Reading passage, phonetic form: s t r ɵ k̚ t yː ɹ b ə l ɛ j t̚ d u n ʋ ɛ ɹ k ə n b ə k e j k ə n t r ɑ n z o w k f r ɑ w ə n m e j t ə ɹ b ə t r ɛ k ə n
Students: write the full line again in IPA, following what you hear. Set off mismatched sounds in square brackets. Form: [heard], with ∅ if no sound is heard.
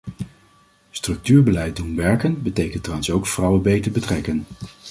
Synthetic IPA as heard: s t r ɵ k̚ t yː ɹ b ə l ɛ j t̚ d u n ʋ ɛ ɹ k ə n b ə [t] e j k ə n t r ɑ n [s] o w k f r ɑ w ə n [b] e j t ə ɹ b ə t r ɛ k ə n

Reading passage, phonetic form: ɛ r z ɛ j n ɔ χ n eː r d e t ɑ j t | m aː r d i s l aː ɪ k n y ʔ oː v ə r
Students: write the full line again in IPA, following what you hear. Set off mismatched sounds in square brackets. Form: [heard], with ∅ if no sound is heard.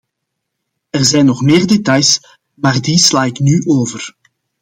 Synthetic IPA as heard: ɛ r z ɛ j n ɔ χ [m] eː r d e t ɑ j [s] | m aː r d i s l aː ɪ k n y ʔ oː v ə r

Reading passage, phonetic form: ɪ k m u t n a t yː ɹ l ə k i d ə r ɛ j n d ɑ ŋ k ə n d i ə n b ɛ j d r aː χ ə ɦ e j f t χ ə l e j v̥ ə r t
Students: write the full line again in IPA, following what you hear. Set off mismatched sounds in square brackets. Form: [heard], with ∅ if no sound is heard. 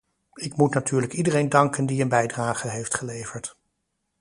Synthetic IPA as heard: ɪ k m u t n a t yː ɹ l ə k i d ə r [e] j n d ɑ ŋ k ə n d i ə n b ɛ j d r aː χ ə ɦ e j f t χ ə l e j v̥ ə [ɹ] t

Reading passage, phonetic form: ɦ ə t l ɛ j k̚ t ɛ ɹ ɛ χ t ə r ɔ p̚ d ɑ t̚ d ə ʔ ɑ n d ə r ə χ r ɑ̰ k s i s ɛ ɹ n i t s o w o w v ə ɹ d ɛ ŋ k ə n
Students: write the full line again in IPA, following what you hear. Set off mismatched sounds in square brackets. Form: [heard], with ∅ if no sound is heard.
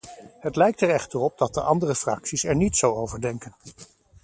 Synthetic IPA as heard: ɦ ə t l ɛ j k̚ t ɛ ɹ ɛ χ t ə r ɔ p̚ d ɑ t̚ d ə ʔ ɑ n d ə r ə [f] r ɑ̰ k s i s ɛ ɹ n i t s o w o w v ə ɹ d ɛ ŋ k ə n

